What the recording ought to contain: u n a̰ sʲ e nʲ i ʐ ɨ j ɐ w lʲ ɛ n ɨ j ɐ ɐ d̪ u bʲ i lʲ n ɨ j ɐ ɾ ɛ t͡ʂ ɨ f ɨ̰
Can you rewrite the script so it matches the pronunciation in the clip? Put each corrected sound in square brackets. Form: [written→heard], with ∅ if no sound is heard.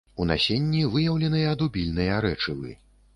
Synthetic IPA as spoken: u n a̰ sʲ e [nʲ→nʲː] i [ʐ→v] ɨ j ɐ w lʲ ɛ n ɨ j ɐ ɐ d̪ u bʲ i lʲ n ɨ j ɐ ɾ ɛ t͡ʂ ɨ [f→v] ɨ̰